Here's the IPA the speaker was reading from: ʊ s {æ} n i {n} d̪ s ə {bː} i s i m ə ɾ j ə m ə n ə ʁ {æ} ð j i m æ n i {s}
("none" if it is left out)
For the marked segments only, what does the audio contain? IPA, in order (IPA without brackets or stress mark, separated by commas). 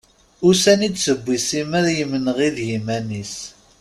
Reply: æ, none, bː, i, s